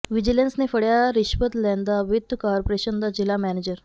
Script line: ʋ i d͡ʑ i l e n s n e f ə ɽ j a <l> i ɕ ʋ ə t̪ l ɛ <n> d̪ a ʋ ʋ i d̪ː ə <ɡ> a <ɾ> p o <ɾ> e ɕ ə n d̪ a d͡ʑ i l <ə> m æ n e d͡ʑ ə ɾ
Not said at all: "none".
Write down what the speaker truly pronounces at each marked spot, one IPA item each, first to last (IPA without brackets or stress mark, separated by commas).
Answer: ɾ, n, k, ɾ, ɾ, a